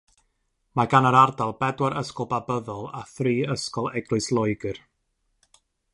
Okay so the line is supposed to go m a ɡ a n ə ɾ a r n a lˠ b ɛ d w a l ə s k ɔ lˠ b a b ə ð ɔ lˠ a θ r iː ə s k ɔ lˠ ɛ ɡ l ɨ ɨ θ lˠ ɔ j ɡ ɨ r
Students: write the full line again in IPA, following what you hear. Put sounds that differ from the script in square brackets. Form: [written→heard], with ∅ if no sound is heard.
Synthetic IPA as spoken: m a ɡ a n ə ɾ a r [n→d] a lˠ b ɛ d w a [l→ɾ] ə s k ɔ lˠ b a b ə ð ɔ lˠ a θ r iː ə s k ɔ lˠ ɛ ɡ l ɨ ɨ [θ→s] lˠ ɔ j ɡ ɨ r

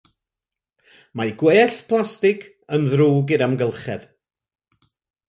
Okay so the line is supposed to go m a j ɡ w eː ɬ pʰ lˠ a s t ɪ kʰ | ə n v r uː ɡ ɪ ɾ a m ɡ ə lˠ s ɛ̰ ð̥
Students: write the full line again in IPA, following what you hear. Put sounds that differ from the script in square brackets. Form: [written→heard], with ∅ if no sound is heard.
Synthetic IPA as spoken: m a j ɡ w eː ɬ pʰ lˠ a s t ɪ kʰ | ə n [v→ð] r uː ɡ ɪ ɾ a m ɡ ə lˠ [s→χ] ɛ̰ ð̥

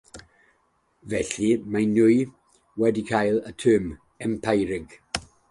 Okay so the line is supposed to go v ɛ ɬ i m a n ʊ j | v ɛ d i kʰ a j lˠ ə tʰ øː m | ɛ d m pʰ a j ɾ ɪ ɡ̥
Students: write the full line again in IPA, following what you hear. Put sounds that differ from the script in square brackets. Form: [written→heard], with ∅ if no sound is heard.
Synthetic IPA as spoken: v ɛ ɬ i m a n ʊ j | [v→w] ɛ d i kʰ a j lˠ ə tʰ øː m | ɛ [d→∅] m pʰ a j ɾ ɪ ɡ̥

